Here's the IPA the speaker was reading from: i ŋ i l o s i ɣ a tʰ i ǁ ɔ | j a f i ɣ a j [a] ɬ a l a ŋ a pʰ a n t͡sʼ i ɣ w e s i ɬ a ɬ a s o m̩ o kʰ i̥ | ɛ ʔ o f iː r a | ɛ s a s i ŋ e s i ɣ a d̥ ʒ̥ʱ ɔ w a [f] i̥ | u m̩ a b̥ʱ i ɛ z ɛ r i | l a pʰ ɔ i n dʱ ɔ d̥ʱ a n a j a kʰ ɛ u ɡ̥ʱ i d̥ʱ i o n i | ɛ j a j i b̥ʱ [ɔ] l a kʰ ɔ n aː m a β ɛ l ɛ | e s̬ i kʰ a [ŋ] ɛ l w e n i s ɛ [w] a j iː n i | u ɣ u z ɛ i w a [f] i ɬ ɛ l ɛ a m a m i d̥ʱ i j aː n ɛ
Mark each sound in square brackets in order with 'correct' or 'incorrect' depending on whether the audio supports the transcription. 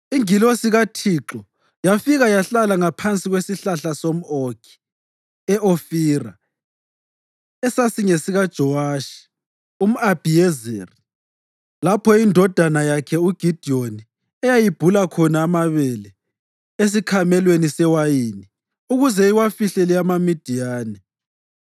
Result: correct, incorrect: ʃ, incorrect: u, incorrect: m, correct, correct

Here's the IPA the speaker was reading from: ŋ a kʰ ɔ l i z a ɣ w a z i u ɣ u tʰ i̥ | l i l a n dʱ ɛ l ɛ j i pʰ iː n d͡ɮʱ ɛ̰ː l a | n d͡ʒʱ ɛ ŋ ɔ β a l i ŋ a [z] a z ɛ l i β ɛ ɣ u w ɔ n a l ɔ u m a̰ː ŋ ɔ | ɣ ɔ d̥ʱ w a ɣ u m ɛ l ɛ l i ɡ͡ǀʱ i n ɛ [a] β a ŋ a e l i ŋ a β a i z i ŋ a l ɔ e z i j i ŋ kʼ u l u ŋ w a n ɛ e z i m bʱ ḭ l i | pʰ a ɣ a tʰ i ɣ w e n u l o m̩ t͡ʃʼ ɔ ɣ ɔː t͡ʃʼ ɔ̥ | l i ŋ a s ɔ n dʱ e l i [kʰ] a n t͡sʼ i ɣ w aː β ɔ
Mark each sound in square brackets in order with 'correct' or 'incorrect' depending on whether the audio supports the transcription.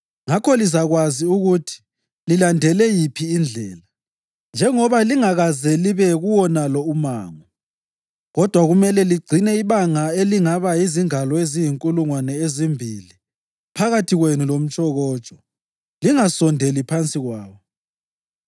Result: incorrect: ɣ, incorrect: i, incorrect: pʰ

